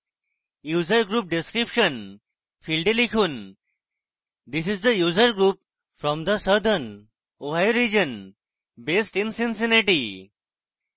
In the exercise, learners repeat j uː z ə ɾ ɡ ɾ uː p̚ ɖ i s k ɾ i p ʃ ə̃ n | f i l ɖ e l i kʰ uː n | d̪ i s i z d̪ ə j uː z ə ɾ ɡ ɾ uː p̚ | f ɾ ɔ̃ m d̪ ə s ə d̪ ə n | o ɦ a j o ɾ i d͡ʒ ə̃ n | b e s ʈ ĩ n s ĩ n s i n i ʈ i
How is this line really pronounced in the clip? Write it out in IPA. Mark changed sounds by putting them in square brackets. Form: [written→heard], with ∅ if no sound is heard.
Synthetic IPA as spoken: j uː z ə ɾ ɡ ɾ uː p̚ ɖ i s k ɾ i p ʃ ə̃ n | f i l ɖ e l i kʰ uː n | d̪ i s i z d̪ ə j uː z ə ɾ ɡ ɾ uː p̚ | f ɾ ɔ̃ m d̪ ə s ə d̪ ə n | o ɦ a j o ɾ i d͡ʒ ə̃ n | b e s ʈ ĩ n s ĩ n s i n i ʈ i